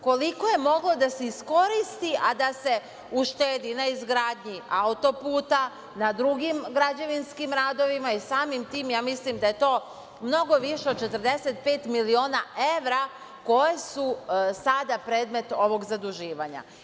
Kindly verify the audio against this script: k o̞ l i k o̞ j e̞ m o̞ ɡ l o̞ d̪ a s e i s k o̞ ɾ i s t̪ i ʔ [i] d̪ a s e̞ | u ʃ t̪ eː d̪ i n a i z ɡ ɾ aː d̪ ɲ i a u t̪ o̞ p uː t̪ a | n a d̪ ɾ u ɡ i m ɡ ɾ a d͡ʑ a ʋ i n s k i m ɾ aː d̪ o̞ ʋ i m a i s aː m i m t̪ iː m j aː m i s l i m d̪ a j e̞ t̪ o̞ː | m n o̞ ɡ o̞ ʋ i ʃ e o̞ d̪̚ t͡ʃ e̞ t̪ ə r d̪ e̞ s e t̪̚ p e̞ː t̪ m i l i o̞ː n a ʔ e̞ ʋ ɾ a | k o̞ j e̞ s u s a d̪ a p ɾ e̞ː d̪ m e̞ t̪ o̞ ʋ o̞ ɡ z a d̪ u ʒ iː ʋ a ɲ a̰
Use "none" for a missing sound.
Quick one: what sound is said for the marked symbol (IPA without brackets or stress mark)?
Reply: a